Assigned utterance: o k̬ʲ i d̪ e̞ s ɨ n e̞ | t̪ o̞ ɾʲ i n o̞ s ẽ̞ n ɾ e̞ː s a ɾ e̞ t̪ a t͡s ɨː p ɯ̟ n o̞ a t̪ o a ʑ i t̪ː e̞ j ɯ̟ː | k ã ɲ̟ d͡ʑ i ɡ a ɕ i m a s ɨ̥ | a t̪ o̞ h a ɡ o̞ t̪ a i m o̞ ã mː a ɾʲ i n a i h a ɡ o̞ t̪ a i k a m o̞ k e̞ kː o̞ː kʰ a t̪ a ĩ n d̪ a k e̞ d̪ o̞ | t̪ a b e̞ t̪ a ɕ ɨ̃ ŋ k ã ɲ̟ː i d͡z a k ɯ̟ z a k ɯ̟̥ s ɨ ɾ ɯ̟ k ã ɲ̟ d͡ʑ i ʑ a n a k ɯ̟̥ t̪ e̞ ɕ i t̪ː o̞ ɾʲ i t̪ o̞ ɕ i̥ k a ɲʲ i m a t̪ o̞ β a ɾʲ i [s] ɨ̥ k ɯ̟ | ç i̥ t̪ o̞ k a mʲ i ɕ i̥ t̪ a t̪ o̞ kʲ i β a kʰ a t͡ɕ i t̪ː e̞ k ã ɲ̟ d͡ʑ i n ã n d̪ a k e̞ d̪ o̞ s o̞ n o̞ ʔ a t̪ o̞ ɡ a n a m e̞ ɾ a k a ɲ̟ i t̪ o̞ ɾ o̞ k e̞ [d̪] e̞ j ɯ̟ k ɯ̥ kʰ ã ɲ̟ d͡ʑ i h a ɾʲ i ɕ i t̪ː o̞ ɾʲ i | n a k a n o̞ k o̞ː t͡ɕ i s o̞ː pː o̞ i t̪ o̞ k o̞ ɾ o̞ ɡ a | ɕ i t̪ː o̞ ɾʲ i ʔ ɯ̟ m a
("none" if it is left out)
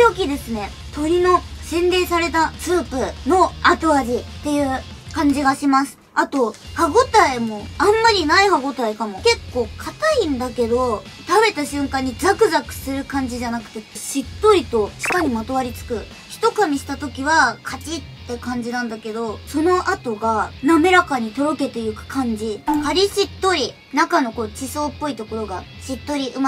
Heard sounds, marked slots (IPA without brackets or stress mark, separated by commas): t͡s, t̪